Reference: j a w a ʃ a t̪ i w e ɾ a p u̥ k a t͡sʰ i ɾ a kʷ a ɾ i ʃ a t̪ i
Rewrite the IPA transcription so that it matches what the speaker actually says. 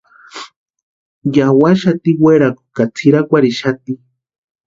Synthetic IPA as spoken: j a w a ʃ a t̪ i w e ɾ a k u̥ k a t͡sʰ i ɾ a kʷ a ɾ i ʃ a t̪ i